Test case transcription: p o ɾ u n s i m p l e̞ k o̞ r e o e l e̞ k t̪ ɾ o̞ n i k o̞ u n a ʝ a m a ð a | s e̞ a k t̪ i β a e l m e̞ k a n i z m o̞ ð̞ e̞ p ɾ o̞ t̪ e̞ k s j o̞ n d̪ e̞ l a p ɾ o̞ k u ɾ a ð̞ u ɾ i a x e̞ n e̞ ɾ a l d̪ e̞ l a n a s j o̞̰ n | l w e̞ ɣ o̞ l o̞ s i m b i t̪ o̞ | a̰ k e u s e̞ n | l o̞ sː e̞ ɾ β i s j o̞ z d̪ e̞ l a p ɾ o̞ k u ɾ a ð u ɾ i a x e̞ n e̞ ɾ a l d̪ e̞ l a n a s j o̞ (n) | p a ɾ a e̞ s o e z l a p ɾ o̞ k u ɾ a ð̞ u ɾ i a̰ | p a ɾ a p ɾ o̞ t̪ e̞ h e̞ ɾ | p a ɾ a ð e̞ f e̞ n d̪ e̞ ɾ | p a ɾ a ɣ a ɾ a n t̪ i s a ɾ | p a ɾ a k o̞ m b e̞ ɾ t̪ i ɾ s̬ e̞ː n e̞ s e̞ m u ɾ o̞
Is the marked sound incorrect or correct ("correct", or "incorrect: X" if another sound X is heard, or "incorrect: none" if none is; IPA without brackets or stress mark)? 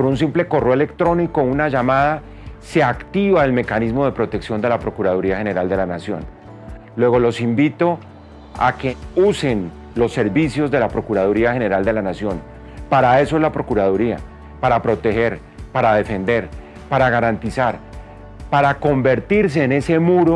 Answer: correct